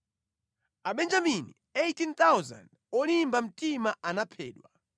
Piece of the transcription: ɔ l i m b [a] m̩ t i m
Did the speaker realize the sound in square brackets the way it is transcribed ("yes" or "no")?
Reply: yes